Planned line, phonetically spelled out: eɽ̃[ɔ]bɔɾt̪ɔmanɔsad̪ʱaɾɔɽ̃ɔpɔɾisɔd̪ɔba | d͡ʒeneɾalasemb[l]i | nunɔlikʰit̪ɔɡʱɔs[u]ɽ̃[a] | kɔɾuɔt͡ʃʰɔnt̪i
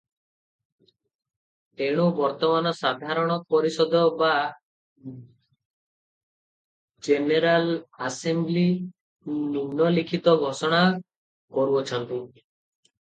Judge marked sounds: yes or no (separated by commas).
no, yes, no, yes